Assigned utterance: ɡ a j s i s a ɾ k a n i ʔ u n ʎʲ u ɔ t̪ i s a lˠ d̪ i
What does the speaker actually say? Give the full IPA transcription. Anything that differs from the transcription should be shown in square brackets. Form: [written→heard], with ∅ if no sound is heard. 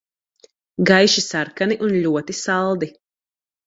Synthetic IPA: ɡ a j [s→ʃ] i s a ɾ k a n i ʔ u n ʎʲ u ɔ t̪ i s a lˠ d̪ i